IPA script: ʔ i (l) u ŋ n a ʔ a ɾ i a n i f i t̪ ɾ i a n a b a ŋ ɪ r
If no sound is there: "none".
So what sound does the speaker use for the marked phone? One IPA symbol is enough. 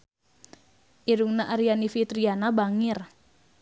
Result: ɾ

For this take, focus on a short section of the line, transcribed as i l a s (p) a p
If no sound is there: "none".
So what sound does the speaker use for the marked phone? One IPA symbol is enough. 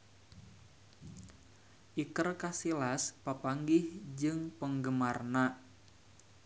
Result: p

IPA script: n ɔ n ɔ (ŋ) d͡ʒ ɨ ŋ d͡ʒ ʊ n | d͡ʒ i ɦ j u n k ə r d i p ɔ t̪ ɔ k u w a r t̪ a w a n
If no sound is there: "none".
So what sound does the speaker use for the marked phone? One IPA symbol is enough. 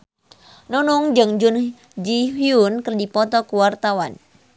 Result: ŋ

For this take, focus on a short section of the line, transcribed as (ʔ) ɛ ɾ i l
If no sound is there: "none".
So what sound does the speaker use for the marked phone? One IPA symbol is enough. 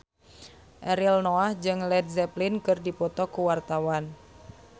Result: ʔ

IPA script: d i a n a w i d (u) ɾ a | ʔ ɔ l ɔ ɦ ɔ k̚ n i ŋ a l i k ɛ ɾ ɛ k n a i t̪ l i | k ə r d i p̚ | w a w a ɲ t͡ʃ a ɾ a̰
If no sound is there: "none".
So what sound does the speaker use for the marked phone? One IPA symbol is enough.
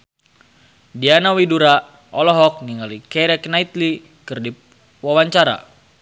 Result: u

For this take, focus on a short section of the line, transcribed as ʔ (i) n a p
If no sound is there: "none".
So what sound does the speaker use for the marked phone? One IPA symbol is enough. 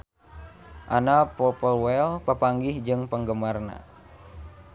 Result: a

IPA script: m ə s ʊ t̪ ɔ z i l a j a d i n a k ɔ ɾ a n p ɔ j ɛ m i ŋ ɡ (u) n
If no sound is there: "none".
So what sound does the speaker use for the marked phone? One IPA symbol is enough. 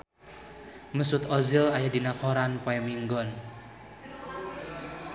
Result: ɔ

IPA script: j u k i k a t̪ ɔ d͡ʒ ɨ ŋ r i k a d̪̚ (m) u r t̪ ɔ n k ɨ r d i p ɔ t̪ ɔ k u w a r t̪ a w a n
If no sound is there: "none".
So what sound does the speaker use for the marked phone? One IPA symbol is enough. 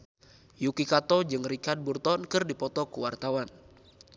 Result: b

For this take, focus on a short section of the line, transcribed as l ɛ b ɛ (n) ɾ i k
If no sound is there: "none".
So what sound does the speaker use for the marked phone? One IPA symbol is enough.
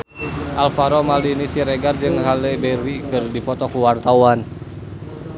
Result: none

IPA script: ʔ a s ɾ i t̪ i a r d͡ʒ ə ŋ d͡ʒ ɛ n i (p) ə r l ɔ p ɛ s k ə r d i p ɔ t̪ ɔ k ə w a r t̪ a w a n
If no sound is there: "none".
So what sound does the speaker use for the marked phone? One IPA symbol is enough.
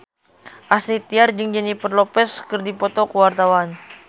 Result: p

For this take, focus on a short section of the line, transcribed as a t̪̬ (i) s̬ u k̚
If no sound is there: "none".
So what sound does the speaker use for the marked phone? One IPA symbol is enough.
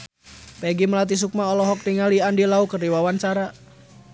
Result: i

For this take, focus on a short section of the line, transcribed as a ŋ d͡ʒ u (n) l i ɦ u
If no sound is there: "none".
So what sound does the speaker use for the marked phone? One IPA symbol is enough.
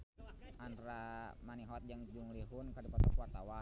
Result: ŋ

